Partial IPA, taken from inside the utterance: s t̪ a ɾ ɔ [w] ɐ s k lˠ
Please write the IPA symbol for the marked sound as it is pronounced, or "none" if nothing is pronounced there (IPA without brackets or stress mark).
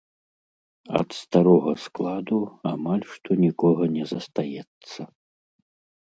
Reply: ɣ